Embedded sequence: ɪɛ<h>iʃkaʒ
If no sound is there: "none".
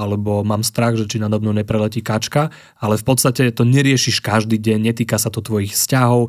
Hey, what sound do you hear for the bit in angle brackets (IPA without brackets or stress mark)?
ʃ